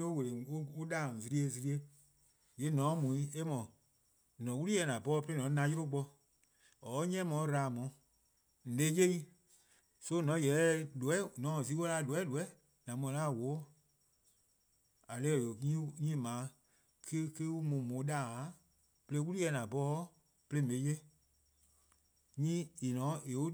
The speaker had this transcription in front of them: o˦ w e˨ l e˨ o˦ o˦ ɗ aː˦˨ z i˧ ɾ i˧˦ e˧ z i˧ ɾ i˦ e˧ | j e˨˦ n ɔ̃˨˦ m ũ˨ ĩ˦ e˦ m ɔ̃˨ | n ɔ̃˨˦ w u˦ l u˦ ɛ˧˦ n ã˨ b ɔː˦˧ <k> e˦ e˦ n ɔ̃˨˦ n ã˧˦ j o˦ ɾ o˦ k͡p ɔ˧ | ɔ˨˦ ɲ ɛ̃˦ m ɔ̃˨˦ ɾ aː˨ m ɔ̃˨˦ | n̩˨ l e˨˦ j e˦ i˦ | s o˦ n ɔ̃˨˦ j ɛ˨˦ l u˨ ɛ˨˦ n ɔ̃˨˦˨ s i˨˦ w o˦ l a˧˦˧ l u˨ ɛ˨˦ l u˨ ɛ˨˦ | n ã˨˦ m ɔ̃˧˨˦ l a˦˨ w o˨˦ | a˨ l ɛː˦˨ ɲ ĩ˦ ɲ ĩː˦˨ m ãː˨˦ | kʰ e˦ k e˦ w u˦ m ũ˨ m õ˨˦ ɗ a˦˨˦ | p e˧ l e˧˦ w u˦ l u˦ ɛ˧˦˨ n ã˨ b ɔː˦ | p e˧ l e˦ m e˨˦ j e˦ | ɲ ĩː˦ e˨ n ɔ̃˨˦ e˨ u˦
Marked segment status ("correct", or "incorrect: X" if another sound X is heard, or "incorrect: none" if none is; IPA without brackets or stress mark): incorrect: p